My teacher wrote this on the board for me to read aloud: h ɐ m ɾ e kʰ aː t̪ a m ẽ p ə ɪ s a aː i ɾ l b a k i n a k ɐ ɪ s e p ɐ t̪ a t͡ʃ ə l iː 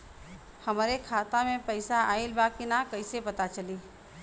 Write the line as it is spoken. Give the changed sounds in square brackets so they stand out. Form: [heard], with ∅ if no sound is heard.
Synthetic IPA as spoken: h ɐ m ɾ e kʰ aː t̪ a m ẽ p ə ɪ s a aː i [∅] l b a k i n a k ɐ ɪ s e p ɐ t̪ a t͡ʃ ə l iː

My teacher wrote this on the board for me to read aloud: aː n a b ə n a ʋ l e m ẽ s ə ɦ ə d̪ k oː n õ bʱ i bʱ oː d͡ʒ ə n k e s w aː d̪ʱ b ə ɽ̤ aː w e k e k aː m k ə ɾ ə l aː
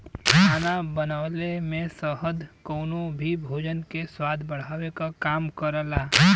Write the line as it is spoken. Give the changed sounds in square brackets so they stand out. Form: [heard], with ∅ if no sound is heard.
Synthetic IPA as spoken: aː n a b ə n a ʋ l e m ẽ s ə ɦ ə d̪ k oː n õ bʱ i bʱ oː d͡ʒ ə n k e s w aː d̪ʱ b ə ɽ̤ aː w e k [a] k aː m k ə ɾ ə l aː

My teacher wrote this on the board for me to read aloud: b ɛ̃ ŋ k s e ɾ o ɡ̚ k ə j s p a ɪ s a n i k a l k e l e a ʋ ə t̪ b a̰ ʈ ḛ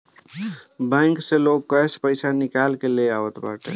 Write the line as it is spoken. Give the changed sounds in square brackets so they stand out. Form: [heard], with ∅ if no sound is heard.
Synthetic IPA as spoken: b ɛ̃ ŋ k s e [l] o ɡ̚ k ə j s p [ə] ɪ s a n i k a l k e l e a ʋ ə t̪ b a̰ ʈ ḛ

